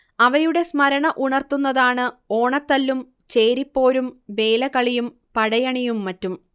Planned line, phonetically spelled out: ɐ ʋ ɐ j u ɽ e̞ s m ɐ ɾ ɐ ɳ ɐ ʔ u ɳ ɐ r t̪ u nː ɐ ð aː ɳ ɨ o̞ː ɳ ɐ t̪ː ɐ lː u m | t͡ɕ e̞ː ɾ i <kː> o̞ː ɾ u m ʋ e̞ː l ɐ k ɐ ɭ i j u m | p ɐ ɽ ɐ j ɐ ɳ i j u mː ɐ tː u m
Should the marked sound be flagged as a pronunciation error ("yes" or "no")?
yes